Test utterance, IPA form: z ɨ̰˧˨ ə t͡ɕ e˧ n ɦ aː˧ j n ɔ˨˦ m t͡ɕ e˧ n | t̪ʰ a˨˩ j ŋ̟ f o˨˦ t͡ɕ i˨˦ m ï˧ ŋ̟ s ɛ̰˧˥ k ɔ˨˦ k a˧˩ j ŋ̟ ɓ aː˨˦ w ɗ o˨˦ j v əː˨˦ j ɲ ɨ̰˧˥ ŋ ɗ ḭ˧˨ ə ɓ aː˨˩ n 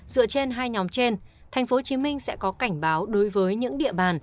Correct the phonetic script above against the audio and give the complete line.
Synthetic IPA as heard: z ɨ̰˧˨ ə t͡ɕ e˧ n ɦ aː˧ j ɲ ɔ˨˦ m t͡ɕ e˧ n | t̪ʰ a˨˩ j ŋ̟ f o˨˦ t͡ɕ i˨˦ m ï˧ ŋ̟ s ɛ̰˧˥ k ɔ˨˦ k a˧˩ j ŋ̟ ɓ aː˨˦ w ɗ o˨˦ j v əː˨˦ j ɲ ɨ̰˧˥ ŋ ɗ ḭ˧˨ ə ɓ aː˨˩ n